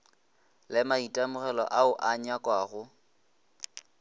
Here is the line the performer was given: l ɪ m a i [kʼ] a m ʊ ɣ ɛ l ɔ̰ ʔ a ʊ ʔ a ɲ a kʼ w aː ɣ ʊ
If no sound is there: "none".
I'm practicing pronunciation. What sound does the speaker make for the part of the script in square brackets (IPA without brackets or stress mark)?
tʼ